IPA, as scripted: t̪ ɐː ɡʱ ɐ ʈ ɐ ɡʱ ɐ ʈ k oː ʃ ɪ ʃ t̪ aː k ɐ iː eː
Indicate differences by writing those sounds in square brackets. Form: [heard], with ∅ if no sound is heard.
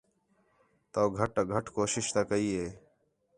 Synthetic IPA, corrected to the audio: t̪ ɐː ɡʱ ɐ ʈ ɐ ɡʱ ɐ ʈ k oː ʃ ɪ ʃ t̪ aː k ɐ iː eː